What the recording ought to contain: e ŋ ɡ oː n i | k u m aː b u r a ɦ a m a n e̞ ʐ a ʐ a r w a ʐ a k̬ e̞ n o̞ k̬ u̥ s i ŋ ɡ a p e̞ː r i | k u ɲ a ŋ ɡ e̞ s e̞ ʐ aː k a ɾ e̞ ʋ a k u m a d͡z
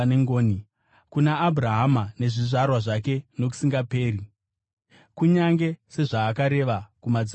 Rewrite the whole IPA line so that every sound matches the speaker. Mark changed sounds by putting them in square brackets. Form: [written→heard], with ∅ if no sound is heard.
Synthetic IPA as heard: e ŋ ɡ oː n i | k u [m→n] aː b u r a ɦ a m a n e̞ ʐ [a→i] ʐ a r w a ʐ a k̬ e̞ n o̞ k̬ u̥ s i ŋ ɡ a p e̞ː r i | k u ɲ a ŋ ɡ e̞ s e̞ ʐ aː k a ɾ e̞ ʋ a k u m a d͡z

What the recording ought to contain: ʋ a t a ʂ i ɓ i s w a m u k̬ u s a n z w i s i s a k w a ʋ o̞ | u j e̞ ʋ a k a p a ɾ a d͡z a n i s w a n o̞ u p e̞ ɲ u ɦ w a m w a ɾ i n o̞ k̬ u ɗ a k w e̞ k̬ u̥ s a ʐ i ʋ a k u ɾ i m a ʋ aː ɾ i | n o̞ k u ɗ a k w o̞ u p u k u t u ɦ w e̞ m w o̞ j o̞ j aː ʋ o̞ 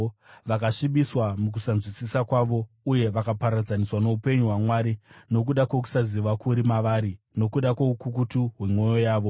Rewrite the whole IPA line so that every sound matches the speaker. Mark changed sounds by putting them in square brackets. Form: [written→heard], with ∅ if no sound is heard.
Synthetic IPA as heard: ʋ a [t→k] a ʂ i ɓ i s w a m u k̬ u s a n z w i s i s a k w a ʋ o̞ | u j e̞ ʋ a k a p a ɾ a d͡z a n i s w a n o̞ u p e̞ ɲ u ɦ w a m w a ɾ i n o̞ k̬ u ɗ a k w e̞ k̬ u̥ s a [ʐ→z] i ʋ a k u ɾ i m a ʋ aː ɾ i | n o̞ k u ɗ a k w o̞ u [p→k] u k u t u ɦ w e̞ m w o̞ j o̞ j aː ʋ o̞

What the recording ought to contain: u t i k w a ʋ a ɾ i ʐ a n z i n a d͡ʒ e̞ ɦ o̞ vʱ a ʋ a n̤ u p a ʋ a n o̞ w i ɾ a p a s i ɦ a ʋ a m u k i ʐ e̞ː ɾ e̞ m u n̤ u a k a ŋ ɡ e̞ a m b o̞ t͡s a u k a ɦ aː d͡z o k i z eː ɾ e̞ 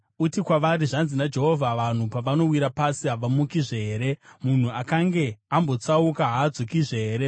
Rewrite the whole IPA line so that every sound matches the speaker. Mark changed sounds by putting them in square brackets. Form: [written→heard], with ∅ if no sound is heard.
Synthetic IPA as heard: u t i k w a ʋ a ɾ i ʐ a n z i n a d͡ʒ e̞ ɦ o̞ vʱ a ʋ a n̤ u p a ʋ a n o̞ w i ɾ a p a s i ɦ a ʋ a m u k i ʐ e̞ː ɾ e̞ m u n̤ u a k a ŋ ɡ e̞ a m b o̞ t͡s a u k a ɦ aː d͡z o k i [z→ʐ] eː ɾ e̞

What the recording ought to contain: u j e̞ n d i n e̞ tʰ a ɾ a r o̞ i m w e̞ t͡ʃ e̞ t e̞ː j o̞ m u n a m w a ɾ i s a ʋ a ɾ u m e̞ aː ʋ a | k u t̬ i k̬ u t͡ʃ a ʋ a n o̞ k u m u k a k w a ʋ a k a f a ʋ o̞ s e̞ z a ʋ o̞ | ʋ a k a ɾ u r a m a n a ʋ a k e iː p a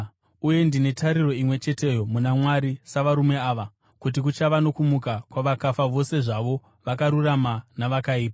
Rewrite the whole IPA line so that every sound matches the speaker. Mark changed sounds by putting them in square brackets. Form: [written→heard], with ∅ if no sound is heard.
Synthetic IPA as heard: u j e̞ n d i n e̞ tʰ a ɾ [a→i] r o̞ i m w e̞ t͡ʃ e̞ t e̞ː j o̞ m u n a m w a ɾ i s a ʋ a ɾ u m e̞ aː ʋ a | k u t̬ i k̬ u t͡ʃ a ʋ a n o̞ k u m u k a k w a ʋ a k a f a ʋ o̞ s e̞ [z→ʐ] a ʋ o̞ | ʋ a k a ɾ u r a m a n a ʋ a k [e→a] iː p a

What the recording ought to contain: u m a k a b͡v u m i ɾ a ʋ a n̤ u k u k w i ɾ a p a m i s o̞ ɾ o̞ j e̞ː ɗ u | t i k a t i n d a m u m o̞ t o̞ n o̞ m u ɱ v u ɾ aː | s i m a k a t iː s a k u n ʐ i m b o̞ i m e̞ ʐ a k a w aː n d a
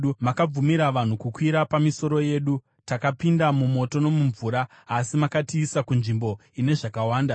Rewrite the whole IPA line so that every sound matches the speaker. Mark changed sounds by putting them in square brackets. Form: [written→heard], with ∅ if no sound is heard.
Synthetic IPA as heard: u m a k a b͡v u m i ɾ a ʋ a n̤ u k u k w i ɾ a p a m i s o̞ ɾ o̞ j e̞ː ɗ u | t [i→a] k a [t→p] i n d a m u m o̞ t o̞ n o̞ m u ɱ v u ɾ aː | s i m a k a t iː s a k u n ʐ i m b o̞ i [m→n] e̞ ʐ a k a w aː n d a

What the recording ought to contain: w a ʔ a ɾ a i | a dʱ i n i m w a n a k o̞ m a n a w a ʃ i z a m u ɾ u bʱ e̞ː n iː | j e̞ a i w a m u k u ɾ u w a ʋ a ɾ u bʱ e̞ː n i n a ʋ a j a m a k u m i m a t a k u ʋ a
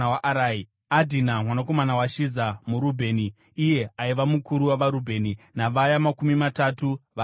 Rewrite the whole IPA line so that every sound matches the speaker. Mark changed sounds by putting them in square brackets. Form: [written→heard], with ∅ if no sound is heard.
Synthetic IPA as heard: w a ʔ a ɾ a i | a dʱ i n [i→a] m w a n a k o̞ m a n a w a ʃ i z a m u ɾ u bʱ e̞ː n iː | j e̞ a i [w→ʋ] a m u k u ɾ u w a ʋ a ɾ u bʱ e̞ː n i n a ʋ a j a m a k u m i m a t a [k→t] u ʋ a

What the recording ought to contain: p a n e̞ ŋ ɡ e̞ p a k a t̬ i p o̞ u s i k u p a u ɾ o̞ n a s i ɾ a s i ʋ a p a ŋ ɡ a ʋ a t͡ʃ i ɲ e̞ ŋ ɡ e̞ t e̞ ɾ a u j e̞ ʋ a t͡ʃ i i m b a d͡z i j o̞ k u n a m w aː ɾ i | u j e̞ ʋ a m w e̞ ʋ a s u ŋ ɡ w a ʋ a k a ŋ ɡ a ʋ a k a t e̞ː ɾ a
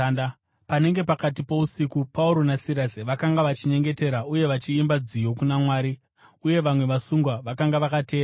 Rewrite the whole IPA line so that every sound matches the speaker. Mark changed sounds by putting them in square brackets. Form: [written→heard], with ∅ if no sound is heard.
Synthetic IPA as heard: p a n e̞ ŋ ɡ e̞ p a k a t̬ i p o̞ u s i k u p a u ɾ o̞ n a s i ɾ a s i ʋ a [p→k] a ŋ ɡ a ʋ a t͡ʃ i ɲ e̞ ŋ ɡ e̞ t e̞ ɾ a u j e̞ ʋ a t͡ʃ i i m b a d͡z i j o̞ k u n a m w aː ɾ i | u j e̞ ʋ a m w e̞ ʋ a s u ŋ ɡ w a ʋ a k a ŋ ɡ a ʋ a k a t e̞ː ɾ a

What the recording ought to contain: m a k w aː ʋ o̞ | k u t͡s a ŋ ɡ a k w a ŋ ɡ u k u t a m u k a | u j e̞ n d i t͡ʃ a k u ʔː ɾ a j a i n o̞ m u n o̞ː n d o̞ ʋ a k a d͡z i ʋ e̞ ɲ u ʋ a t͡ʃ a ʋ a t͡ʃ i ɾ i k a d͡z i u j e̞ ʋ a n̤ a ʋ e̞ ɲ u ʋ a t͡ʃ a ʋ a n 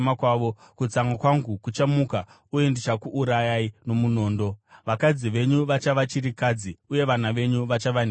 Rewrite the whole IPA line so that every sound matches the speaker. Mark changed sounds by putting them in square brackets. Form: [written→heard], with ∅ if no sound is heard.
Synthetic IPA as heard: m a k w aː ʋ o̞ | k u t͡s a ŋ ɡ a k w a ŋ ɡ u k u [t→t͡ʃ] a m u k a | u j e̞ n d i t͡ʃ a k u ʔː ɾ a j a i n o̞ m u n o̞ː n d o̞ ʋ a k a d͡z i ʋ e̞ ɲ u ʋ a t͡ʃ a ʋ a t͡ʃ i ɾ i k a d͡z i u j e̞ ʋ a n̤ a ʋ e̞ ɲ u ʋ a t͡ʃ a ʋ a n

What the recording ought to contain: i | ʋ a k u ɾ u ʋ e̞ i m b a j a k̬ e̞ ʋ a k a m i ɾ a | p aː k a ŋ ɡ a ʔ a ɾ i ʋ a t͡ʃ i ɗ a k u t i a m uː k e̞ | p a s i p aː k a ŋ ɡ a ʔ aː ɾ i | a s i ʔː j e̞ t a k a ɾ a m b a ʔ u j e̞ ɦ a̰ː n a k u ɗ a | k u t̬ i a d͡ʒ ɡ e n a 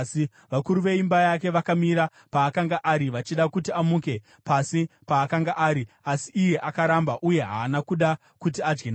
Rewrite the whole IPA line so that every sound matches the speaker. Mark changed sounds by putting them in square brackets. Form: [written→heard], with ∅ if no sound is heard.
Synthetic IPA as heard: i | ʋ a k u ɾ u ʋ e̞ i m b a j a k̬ e̞ ʋ a k a m i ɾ a | p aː k a ŋ ɡ a ʔ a ɾ i ʋ a t͡ʃ i ɗ a k u t i a m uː k e̞ | p a s i p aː k a ŋ ɡ a ʔ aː ɾ i | a s i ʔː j e̞ [t→ʔ] a k a ɾ a m b a ʔ u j e̞ ɦ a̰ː n a k u ɗ a | k u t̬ i a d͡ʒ ɡ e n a

